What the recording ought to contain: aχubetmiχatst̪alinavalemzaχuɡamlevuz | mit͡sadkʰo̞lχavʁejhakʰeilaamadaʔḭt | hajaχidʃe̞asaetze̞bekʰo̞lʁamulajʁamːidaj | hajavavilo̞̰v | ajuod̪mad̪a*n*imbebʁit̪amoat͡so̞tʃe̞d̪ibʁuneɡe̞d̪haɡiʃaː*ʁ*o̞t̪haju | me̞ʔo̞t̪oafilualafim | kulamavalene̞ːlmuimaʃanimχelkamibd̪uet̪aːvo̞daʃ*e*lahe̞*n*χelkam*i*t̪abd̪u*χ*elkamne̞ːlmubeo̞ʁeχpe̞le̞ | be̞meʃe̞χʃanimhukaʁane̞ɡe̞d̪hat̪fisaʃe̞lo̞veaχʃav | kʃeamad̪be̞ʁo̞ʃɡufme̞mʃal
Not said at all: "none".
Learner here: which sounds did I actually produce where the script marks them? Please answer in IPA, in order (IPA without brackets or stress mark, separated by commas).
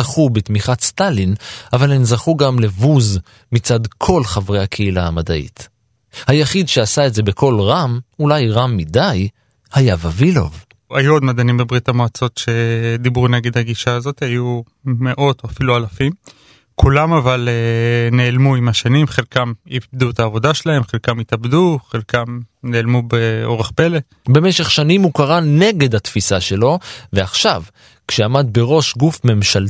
n, z, e, m, i, χ